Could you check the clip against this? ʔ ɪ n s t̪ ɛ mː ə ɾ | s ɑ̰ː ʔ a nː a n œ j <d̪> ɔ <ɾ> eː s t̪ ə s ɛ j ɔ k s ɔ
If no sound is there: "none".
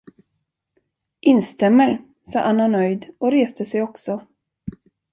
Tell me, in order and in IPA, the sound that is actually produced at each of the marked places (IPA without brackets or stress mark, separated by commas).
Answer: d̪, ɾ